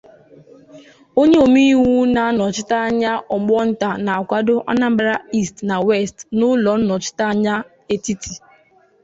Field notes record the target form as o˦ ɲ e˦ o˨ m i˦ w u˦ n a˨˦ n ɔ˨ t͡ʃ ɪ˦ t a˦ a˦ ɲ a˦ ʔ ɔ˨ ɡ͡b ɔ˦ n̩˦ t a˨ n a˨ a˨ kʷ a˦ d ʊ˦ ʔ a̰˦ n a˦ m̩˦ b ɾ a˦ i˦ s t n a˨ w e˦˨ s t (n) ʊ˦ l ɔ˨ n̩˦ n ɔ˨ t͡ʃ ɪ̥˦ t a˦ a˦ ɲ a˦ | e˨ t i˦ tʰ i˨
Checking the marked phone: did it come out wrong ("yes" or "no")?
no